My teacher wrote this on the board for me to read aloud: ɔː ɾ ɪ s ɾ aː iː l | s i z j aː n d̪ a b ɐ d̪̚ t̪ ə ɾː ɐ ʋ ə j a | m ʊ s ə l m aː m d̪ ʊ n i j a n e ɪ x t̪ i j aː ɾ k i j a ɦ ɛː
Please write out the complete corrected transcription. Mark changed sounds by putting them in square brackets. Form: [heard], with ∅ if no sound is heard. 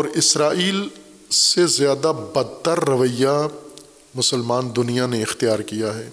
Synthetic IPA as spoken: ɔː ɾ ɪ s ɾ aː iː l | s [e] z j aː [∅] d̪ a b ɐ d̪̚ t̪ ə ɾː ɐ ʋ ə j a | m ʊ s ə l m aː [n] d̪ ʊ n i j a n e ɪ x t̪ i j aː ɾ k i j a ɦ ɛː